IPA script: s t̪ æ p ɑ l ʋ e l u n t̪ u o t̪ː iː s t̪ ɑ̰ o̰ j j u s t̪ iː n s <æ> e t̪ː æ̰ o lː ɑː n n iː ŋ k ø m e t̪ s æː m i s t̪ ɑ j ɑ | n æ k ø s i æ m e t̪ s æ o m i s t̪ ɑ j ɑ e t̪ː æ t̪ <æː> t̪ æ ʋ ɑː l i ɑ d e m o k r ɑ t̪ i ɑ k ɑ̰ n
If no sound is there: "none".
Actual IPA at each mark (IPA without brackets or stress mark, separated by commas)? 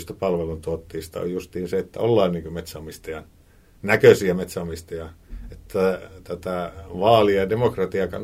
e, æ